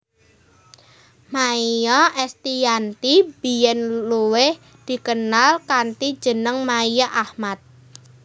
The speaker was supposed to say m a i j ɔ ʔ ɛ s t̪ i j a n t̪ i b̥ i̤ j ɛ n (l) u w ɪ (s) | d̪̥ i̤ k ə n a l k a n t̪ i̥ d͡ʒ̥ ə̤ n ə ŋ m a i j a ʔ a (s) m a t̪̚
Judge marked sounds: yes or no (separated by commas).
yes, no, no